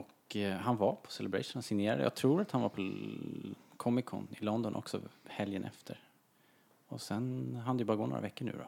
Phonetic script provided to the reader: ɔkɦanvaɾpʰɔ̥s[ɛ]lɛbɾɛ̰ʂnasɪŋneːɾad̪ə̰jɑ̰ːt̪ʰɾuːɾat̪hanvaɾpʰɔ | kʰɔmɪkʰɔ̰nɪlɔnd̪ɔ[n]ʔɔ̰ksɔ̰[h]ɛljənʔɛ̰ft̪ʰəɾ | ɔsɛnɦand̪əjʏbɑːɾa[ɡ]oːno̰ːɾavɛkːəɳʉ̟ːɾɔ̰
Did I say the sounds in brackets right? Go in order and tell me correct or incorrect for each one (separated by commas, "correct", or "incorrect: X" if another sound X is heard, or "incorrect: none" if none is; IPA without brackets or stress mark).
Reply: correct, correct, correct, correct